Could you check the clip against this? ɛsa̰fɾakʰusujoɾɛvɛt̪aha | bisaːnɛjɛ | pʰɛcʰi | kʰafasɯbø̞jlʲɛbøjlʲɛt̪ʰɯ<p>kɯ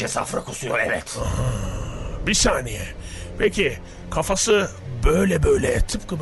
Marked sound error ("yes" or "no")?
no